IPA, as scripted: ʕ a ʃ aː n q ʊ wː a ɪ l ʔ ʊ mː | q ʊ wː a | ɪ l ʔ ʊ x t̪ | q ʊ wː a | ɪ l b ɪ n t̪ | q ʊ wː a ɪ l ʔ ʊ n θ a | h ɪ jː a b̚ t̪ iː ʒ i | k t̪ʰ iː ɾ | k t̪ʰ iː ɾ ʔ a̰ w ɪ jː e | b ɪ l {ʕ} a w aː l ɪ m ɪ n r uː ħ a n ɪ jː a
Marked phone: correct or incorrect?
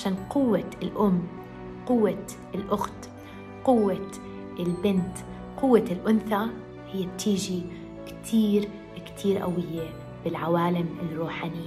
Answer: correct